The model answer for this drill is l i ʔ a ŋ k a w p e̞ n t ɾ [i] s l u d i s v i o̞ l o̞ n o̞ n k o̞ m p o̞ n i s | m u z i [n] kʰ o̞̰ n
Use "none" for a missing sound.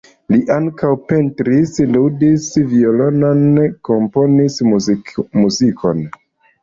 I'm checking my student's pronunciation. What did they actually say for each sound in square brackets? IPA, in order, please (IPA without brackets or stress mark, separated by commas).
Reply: i, none